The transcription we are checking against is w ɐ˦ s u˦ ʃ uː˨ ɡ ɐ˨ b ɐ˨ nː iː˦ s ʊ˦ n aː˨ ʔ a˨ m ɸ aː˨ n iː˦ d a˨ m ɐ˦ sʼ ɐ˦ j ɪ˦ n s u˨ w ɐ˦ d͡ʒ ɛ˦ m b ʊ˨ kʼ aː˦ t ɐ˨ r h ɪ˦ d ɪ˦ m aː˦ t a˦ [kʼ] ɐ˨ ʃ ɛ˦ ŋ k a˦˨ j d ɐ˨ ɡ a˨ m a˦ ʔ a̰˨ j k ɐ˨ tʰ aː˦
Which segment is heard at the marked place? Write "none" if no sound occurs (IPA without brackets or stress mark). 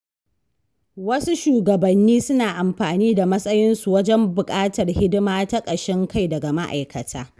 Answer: kʼ